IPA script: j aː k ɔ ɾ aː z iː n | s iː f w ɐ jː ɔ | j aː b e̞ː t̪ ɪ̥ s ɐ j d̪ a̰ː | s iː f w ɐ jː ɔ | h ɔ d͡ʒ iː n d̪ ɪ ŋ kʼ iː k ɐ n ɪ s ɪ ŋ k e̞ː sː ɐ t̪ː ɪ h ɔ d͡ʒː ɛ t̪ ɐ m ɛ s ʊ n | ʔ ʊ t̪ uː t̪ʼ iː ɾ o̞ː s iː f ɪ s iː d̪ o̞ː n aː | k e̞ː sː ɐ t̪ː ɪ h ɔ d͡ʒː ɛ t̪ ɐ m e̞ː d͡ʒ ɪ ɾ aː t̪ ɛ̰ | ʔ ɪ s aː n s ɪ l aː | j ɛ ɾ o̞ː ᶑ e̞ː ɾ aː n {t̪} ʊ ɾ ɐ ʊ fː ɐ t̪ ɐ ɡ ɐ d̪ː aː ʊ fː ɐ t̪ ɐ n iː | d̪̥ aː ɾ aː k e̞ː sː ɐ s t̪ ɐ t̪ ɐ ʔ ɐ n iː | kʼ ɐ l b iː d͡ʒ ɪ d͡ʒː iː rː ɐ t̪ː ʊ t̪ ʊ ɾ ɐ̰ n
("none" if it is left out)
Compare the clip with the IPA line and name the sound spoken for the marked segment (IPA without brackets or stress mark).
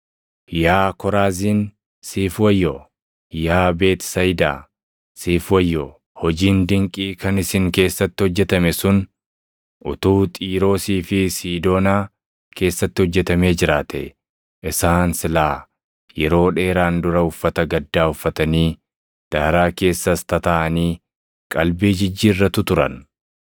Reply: d̪